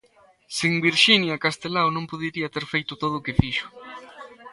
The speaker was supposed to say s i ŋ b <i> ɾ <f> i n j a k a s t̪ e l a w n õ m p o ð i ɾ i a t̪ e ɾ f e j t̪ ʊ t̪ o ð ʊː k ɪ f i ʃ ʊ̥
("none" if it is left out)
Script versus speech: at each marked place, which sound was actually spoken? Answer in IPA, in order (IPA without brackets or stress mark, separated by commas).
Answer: i, ʃ